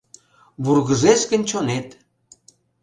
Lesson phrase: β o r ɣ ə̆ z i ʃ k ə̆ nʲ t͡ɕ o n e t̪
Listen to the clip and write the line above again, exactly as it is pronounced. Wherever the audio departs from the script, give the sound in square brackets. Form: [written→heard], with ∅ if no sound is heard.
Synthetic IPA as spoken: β [o→u] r ɣ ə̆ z [i→e] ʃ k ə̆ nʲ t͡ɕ o n e t̪